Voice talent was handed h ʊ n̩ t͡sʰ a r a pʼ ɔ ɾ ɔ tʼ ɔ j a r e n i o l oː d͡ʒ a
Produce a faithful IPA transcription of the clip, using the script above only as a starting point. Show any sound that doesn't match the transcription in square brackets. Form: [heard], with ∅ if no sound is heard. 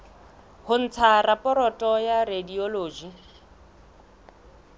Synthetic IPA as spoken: h ʊ n̩ t͡sʰ a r a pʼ ɔ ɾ ɔ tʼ ɔ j a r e [d] i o l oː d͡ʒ [i]